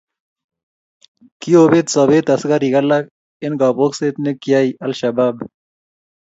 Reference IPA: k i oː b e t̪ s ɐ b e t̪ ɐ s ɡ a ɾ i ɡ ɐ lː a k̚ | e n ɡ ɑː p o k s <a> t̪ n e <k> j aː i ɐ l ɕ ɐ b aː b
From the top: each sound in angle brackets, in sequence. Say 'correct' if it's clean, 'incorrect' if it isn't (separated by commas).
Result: incorrect, correct